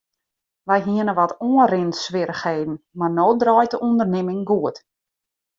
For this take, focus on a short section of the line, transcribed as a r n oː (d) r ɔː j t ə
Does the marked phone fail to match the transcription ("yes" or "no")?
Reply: no